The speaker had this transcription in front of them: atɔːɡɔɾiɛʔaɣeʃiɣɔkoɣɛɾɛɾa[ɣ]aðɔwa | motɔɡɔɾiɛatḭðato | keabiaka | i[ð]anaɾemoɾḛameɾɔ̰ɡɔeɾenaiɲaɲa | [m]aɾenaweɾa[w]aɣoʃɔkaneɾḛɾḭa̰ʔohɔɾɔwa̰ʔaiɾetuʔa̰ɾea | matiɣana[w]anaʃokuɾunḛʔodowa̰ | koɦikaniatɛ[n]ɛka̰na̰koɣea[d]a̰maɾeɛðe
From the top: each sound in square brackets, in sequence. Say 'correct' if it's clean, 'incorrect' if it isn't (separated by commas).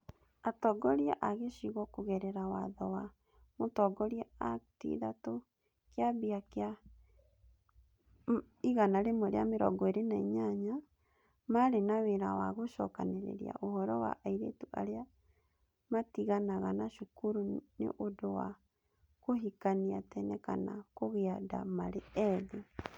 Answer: incorrect, incorrect, correct, correct, incorrect, correct, correct